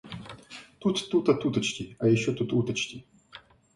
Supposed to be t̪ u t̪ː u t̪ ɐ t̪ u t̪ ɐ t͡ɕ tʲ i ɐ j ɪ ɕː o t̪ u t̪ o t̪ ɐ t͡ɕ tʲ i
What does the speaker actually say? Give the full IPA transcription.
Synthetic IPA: t̪ u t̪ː u t̪ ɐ t̪ u t̪ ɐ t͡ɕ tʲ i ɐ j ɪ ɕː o t̪ u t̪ u t̪ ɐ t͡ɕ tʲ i

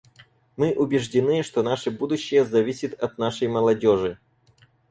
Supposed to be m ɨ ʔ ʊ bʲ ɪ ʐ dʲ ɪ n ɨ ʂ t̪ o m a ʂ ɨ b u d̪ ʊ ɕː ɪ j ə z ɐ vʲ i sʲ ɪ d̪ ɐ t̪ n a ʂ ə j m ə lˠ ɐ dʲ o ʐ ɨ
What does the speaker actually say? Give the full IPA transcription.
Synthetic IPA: m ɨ ʔ ʊ bʲ ɪ ʐ dʲ ɪ n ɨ ʂ t̪ o n a ʂ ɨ b u d̪ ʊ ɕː ɪ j ə z ɐ vʲ i sʲ ɪ t̪ ɐ t̪ n a ʂ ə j m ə lˠ ɐ dʲ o ʐ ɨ

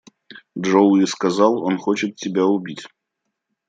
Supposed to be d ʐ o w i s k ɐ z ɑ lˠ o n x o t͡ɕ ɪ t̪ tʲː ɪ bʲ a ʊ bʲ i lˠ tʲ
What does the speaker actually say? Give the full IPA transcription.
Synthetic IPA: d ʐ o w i s k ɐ z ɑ lˠ o n x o t͡ɕ ɪ t̪ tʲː ɪ bʲ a ʊ bʲ i tʲ

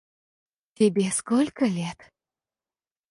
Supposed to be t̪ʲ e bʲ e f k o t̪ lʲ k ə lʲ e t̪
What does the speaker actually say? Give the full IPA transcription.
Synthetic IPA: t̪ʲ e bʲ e s k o lʲ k ə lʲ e t̪

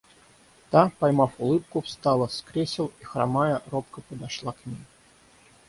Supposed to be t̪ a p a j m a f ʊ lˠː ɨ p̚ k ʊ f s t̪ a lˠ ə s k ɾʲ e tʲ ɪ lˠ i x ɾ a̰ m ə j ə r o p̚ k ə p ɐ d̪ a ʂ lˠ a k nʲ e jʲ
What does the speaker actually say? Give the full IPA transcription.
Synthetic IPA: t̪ a p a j m a f ʊ lˠ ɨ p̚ k ʊ f s t̪ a lˠ ə s k ɾʲ e sʲ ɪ lˠ i x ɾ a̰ m a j ə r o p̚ k ə p ə d̪ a ʂ lˠ a k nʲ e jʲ

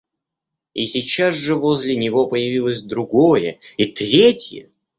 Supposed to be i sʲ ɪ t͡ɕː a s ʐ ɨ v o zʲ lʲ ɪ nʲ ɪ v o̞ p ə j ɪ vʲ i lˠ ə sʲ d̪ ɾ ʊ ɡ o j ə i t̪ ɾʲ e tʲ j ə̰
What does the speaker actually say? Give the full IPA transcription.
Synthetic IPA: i sʲ ɪ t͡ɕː a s ʐ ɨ v o zʲ lʲ ɪ nʲ ɪ v o̞ p ə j ɪ vʲ i lˠ ə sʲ d̪ ɾ ʊ ɡ o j ə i t̪ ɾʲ e tʲ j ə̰

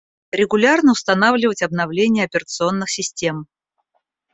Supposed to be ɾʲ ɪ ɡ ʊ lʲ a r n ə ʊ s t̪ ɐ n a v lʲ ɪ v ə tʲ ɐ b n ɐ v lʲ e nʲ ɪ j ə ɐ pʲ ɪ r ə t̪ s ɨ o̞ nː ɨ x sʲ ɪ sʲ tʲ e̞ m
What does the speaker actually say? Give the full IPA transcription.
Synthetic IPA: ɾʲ ɪ ɡ ʊ lʲ a r n ə ʊ s t̪ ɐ n a v lʲ ɪ v ə tʲ ɐ b n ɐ v lʲ e nʲ ɪ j ə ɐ pʲ ɪ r ə t̪ s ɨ o̞ nː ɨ x sʲ ɪ sʲ tʲ e̞ m

